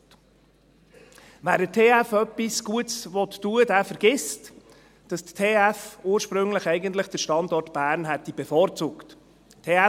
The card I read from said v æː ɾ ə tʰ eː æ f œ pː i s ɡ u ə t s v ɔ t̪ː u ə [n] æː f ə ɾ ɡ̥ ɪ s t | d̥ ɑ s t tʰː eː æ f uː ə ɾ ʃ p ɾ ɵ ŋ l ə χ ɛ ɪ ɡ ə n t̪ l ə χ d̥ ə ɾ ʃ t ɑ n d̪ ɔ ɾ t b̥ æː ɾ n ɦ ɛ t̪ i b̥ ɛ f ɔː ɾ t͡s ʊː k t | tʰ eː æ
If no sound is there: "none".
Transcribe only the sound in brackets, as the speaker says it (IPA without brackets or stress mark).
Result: d